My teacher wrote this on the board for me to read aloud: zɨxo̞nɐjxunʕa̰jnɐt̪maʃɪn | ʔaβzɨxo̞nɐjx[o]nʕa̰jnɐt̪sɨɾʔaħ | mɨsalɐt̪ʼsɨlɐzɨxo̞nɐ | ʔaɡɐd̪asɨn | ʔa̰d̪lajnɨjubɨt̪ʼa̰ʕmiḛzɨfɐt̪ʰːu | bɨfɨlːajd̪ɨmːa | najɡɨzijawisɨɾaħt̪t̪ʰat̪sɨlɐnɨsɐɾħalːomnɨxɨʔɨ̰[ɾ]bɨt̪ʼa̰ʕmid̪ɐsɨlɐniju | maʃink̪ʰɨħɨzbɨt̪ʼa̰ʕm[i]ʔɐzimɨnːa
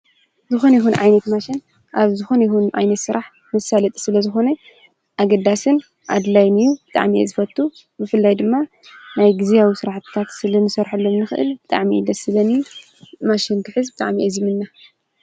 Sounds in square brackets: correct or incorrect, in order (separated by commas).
incorrect, incorrect, correct